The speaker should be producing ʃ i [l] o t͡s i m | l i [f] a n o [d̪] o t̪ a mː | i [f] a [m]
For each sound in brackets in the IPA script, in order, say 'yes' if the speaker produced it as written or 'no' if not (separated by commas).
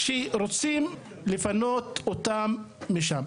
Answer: no, yes, no, no, yes